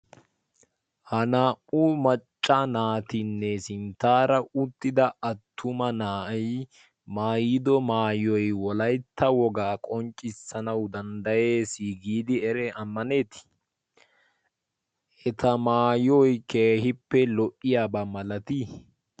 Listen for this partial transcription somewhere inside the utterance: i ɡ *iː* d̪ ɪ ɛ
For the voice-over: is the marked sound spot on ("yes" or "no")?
yes